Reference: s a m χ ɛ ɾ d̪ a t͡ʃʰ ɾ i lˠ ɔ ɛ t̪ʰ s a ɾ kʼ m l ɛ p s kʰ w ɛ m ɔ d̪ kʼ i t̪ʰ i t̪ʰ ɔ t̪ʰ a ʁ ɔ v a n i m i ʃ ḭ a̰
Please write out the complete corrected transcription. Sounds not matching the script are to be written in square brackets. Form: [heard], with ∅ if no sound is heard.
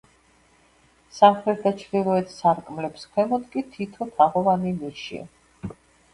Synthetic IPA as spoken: s a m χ ɛ ɾ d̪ a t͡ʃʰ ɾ i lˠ ɔ ɛ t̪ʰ s a ɾ kʼ m l ɛ p s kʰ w ɛ m ɔ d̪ kʼ i t̪ʰ i t̪ʰ ɔ t̪ʰ a ʁ ɔ v a n i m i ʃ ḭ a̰